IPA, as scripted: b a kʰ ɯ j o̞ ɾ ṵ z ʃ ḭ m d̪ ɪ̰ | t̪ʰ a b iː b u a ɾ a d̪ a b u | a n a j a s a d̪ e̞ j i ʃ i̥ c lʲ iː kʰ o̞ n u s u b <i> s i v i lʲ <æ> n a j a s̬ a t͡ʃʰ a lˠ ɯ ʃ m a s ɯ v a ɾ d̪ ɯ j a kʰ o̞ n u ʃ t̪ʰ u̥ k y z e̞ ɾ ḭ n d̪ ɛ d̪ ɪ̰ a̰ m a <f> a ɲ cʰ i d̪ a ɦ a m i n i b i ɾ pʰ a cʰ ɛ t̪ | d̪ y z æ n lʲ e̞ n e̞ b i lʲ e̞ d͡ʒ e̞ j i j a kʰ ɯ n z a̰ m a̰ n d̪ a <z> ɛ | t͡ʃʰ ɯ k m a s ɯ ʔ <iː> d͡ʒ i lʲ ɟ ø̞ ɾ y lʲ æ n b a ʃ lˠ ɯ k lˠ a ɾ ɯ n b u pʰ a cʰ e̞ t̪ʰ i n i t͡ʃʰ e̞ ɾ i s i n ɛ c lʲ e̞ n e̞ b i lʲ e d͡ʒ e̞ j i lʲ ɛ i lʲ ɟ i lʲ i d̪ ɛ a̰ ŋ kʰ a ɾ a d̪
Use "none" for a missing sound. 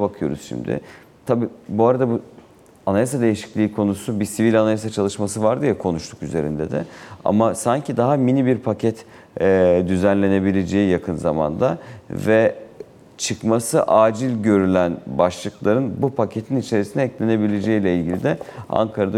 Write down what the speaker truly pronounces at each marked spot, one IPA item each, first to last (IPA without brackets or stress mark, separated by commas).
i, a, s, v, aː